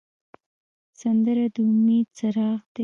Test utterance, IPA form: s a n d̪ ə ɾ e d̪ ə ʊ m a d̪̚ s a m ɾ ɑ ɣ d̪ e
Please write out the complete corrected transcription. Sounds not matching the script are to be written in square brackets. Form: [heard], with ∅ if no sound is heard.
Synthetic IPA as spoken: s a n d̪ ə ɾ [a] d̪ ə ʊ m [e] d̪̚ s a [∅] ɾ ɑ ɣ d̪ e